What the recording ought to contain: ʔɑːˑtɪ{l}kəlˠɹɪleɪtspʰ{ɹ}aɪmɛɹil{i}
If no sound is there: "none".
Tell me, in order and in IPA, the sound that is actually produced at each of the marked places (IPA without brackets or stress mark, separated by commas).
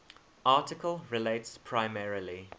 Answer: none, ɹ, i